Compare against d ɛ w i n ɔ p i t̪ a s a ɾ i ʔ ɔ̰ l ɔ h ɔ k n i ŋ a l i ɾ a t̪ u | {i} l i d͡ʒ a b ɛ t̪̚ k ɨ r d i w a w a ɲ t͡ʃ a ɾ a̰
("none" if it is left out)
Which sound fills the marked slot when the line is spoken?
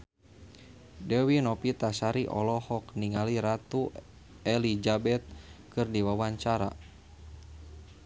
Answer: ɛ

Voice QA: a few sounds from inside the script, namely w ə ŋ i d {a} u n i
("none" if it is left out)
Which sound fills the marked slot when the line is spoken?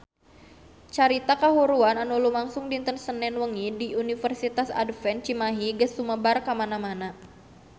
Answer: i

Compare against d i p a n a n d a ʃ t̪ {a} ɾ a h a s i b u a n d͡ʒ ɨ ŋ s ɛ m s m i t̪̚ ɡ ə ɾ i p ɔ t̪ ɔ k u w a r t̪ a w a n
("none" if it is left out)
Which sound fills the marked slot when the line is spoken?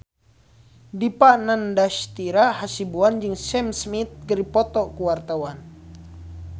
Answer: i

